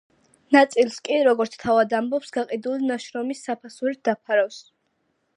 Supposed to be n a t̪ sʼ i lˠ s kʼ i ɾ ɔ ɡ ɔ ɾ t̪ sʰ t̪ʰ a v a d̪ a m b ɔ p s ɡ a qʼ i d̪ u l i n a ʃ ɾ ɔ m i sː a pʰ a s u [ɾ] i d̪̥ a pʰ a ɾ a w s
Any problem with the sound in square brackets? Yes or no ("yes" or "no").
no